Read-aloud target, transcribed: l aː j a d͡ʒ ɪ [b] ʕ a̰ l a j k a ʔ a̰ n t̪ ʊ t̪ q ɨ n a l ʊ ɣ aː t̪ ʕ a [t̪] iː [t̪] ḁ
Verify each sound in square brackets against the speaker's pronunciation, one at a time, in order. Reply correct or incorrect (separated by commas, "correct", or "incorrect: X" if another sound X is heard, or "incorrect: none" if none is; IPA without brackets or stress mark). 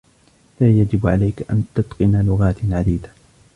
correct, incorrect: d̪, incorrect: d̪